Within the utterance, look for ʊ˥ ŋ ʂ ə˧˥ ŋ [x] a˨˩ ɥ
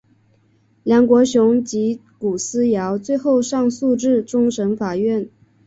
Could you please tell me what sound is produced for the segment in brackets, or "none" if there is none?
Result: f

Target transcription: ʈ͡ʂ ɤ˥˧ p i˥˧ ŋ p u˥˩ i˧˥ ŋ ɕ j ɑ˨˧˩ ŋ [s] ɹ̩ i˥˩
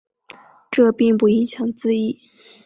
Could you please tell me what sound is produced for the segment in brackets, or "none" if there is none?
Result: t͡s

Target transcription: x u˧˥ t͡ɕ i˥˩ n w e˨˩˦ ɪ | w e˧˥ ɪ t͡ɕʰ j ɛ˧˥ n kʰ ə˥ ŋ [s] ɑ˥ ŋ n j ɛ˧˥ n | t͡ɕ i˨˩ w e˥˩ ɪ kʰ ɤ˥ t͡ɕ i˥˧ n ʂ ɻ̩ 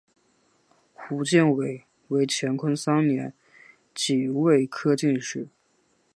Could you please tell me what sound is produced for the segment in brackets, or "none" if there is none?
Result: s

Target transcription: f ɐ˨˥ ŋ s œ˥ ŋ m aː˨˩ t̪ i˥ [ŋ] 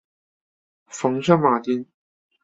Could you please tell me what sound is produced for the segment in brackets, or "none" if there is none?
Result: n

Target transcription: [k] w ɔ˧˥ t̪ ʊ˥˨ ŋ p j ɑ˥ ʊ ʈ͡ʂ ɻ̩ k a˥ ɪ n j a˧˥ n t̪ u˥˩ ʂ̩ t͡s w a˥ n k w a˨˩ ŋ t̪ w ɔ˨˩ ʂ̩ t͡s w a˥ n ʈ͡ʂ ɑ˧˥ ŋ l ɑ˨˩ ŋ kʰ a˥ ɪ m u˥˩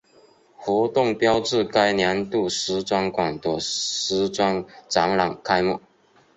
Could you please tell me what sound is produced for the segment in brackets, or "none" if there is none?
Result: x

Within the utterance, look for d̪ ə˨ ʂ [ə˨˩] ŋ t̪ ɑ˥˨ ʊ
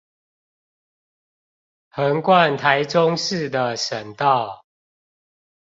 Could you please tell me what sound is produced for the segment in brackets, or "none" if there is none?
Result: ə˨˩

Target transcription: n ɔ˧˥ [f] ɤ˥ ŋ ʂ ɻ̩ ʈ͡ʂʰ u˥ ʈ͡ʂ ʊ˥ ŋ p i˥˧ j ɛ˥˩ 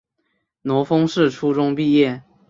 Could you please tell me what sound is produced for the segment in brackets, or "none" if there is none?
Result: f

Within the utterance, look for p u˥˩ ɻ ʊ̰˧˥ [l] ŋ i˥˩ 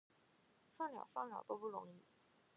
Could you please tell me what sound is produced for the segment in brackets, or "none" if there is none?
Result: none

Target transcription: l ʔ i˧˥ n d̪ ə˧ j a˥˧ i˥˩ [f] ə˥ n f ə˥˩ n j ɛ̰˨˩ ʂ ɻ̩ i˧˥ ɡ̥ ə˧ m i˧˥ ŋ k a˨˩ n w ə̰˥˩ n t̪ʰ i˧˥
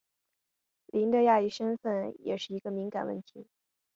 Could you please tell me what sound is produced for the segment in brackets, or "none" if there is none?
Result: ʂ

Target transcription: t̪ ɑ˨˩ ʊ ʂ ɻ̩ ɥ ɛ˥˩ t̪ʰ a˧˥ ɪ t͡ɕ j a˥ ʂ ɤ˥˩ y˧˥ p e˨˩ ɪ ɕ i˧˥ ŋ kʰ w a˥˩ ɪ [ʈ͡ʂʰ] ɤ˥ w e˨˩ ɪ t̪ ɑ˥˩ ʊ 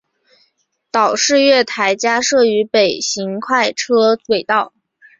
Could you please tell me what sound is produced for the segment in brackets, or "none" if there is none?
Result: ʈ͡ʂʰ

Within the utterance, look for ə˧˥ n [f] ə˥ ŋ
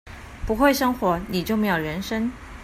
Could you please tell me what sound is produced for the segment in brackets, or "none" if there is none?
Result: ʂ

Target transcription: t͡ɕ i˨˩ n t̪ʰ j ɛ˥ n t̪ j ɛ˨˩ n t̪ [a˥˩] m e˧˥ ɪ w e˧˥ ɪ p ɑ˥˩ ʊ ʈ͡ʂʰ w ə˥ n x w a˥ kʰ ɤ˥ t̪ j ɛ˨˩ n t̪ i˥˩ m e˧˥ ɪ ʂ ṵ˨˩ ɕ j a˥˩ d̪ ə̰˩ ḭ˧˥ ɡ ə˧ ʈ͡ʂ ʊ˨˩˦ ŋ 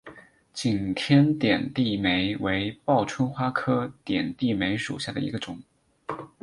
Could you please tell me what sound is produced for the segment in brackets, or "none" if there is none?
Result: i˥˩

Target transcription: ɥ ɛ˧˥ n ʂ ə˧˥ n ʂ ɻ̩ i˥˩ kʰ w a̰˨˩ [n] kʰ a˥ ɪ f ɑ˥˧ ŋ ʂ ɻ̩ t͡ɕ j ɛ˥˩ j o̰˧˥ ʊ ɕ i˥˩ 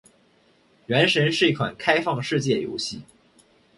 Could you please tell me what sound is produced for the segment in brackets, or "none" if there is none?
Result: n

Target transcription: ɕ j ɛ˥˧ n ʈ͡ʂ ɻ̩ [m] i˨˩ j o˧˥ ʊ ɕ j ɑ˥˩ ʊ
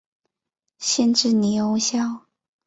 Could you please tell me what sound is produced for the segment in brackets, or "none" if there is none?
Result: n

